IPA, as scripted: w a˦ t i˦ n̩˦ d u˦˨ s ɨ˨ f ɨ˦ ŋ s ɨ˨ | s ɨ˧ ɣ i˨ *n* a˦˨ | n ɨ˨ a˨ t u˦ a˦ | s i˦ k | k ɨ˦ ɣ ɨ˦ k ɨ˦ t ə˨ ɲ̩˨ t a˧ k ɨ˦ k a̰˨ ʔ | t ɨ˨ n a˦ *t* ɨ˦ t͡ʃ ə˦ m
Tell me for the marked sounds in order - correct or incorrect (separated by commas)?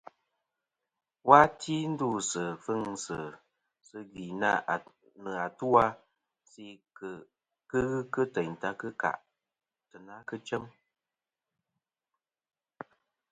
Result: correct, incorrect